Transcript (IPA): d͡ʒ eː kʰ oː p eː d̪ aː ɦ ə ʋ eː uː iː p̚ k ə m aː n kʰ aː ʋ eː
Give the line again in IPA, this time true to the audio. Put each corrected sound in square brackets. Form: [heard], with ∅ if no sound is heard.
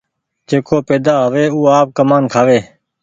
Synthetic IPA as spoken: d͡ʒ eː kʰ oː p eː d̪ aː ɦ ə ʋ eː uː [aː] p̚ k ə m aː n kʰ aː ʋ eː

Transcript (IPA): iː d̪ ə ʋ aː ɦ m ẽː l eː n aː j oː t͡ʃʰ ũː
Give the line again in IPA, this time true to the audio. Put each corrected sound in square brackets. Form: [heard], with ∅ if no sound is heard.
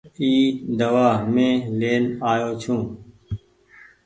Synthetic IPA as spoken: iː d̪ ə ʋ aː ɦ m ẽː l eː n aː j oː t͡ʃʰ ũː

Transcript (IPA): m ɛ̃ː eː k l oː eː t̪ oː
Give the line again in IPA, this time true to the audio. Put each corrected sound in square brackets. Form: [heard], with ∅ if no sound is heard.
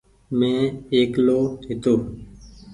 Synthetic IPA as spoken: m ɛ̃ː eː k l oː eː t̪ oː

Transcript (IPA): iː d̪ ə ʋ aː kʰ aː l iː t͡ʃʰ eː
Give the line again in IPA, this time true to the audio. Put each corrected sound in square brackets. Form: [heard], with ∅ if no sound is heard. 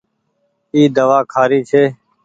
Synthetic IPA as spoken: iː d̪ ə ʋ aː kʰ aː [ɾ] iː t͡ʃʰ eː

